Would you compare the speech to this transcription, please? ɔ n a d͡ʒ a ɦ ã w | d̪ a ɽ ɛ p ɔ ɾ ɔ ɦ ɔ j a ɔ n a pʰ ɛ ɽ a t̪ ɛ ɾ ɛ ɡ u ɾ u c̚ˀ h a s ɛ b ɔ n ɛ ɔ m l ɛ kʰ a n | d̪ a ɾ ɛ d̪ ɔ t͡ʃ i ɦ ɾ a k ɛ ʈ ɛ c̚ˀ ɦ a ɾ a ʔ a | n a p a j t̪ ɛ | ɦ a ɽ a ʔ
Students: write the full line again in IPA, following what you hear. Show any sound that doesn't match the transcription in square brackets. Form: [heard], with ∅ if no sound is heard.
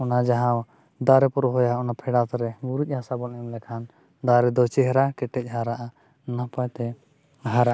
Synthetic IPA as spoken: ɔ n a d͡ʒ a ɦ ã w | d̪ a [ɾ] ɛ p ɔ ɾ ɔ ɦ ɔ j a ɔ n a pʰ ɛ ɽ a t̪ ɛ ɾ ɛ ɡ u ɾ u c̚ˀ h a s [a] b ɔ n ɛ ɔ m l ɛ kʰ a n | d̪ a ɾ ɛ d̪ ɔ t͡ʃ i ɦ ɾ a k ɛ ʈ ɛ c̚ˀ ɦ a ɾ a ʔ a | n a p a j t̪ ɛ | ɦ a [ɾ] a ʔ